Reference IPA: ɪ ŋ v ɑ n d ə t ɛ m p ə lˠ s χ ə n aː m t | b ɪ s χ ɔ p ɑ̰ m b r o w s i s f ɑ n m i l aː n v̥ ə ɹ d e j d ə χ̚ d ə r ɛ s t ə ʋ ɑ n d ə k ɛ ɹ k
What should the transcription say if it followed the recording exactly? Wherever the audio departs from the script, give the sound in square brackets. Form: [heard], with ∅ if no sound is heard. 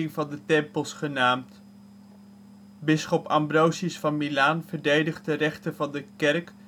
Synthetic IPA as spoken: ɪ ŋ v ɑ n d ə t ɛ m p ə lˠ s χ ə n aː m t | b ɪ s χ ɔ p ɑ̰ m b r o w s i s f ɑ n m i l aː n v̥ ə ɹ d e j d ə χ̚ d ə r ɛ [χ] t ə [v] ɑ n d ə k ɛ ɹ k